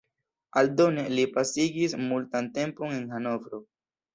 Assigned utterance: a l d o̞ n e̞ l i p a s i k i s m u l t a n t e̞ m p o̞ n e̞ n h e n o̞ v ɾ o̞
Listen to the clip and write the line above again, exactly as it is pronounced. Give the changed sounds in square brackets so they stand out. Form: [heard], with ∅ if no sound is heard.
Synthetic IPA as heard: a l d o̞ n e̞ l i p a s i [ɡ] i s m u l t a n t e̞ m p o̞ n e̞ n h [a] n o̞ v ɾ o̞